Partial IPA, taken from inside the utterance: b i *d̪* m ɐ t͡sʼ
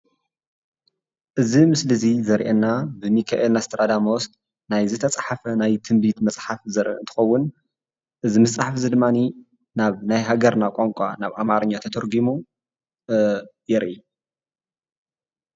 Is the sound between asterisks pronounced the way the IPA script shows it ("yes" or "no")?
no